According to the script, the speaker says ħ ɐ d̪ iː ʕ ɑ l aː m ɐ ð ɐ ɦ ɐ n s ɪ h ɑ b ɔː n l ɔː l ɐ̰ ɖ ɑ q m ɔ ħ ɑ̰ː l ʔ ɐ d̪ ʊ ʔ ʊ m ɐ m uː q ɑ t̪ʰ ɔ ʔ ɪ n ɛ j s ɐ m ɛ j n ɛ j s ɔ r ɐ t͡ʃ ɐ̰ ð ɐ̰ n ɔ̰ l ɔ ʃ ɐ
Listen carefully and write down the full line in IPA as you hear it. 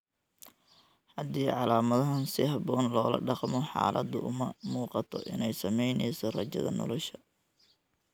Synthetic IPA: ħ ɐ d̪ iː ʕ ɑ l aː m ɐ ð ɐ ɦ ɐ n s ɪ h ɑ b ɔː n l ɔː l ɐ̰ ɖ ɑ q m ɔ ħ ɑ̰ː l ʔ ɐ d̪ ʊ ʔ ʊ m ɐ m uː q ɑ t̪ʰ ɔ ʔ ɪ n ɛ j s ɐ m ɛ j n ɛ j s ɔ r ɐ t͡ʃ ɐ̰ ð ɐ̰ n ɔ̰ l ɔ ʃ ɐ